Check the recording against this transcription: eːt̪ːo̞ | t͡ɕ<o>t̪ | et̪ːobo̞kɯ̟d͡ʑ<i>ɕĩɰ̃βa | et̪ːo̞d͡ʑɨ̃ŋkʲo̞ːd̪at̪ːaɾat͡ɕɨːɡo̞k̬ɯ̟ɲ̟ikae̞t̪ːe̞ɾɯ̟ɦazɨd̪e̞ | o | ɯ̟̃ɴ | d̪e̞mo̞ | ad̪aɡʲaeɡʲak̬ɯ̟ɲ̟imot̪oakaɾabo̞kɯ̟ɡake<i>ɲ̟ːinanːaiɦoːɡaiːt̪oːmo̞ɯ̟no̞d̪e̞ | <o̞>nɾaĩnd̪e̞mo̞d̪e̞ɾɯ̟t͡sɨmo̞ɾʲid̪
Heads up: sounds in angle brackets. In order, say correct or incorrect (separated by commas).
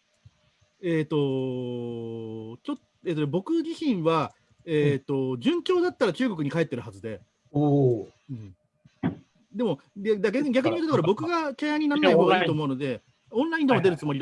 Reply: correct, correct, incorrect, incorrect